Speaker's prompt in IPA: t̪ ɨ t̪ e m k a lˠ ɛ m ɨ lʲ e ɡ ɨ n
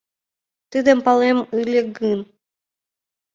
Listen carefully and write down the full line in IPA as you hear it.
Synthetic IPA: t̪ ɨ d̪ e m p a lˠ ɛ m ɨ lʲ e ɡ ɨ n

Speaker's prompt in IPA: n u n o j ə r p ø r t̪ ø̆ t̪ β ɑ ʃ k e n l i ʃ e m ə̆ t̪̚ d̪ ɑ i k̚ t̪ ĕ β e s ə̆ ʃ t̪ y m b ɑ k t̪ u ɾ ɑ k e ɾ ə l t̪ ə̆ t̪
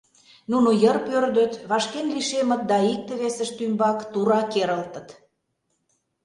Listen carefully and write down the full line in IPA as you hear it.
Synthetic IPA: n u n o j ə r p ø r d̪ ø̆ t̪ β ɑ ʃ k e n l i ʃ e m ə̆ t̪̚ d̪ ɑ i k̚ t̪ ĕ β e s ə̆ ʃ t̪ y m b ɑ k t̪ u ɾ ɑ k e ɾ ə l t̪ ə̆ t̪

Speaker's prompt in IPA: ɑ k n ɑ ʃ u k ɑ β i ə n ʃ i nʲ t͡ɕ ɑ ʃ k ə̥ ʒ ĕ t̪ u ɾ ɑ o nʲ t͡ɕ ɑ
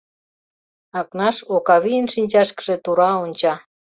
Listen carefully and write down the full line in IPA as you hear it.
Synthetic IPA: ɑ k n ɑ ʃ o k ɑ β i ə n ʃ i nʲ t͡ɕ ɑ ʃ k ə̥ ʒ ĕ t̪ u ɾ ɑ o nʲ t͡ɕ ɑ

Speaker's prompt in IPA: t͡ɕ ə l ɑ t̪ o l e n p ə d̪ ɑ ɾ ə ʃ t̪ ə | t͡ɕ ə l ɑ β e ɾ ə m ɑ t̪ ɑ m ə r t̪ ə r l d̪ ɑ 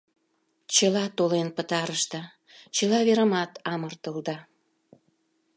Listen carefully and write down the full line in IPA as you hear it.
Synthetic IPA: t͡ɕ ə l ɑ t̪ o l e n p ə t̪ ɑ ɾ ə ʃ t̪ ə | t͡ɕ ə l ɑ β e ɾ ə m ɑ t̪ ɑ m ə r t̪ ə l d̪ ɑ

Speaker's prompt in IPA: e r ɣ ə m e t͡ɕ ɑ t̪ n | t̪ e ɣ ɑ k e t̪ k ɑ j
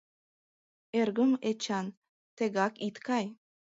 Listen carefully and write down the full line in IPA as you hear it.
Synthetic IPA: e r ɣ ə m e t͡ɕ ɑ n | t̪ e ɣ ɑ k i t̪ k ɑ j

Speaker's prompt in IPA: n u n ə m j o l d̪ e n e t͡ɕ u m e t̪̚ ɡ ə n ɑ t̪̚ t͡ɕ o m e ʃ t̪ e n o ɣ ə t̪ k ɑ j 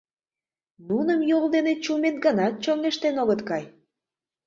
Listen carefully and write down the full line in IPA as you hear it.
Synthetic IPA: n u n ə m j o l d̪ e n e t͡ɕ u m e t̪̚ ɡ ə n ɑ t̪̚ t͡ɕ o ŋ e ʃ t̪ e n o ɣ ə t̪ k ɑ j

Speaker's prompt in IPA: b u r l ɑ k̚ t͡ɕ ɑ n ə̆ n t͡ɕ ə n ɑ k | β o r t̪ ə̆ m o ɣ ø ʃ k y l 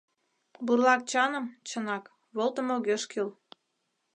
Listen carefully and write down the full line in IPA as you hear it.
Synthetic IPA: b u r l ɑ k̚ t͡ɕ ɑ n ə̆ m t͡ɕ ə n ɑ k | β o l t̪ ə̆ m o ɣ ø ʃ k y l

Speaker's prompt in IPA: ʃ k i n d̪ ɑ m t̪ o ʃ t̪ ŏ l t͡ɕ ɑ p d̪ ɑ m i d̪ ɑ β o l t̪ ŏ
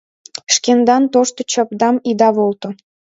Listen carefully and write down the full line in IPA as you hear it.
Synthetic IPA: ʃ k e n d̪ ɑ n t̪ o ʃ t̪ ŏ t͡ɕ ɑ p d̪ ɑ m i d̪ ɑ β o l t̪ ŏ

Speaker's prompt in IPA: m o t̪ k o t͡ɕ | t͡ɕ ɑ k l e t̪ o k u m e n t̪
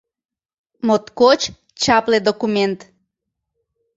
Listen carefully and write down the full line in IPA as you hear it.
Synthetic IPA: m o t̪ k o t͡ɕ | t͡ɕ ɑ p l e d̪ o k u m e n t̪

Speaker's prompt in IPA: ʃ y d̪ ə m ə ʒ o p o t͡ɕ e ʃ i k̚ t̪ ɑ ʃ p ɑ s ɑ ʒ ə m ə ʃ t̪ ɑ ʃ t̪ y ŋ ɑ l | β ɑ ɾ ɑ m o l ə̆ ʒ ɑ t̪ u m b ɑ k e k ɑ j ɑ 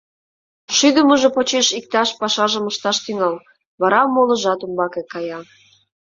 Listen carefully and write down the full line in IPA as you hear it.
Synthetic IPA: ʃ y d̪ ə m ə ʒ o p o t͡ɕ e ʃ i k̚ t̪ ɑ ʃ p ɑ ʃ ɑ ʒ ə m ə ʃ t̪ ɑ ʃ t̪ y ŋ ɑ l | β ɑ ɾ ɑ m o l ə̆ ʒ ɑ t̪ u m b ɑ k e k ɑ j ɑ

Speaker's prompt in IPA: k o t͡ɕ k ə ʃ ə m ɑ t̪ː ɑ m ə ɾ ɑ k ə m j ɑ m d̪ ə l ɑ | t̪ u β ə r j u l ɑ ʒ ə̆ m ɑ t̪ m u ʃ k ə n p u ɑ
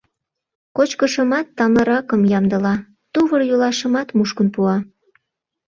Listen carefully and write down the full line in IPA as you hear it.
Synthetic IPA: k o t͡ɕ k ə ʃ ə m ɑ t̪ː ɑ m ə ɾ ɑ k ə m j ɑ m d̪ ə l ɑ | t̪ u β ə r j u l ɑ ʃ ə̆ m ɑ t̪ m u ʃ k ə n p u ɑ

